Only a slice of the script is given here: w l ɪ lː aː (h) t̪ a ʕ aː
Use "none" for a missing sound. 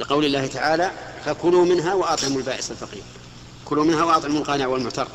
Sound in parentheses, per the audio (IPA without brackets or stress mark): h